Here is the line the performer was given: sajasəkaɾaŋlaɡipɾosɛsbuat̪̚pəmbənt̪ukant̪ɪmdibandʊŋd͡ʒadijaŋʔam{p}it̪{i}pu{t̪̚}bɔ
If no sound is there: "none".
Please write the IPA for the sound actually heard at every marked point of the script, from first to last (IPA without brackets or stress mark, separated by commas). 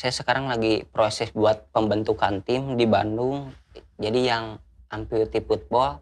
p, i, t̪̚